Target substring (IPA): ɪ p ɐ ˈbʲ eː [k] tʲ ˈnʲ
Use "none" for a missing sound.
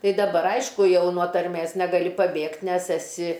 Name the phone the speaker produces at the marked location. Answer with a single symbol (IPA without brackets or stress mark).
k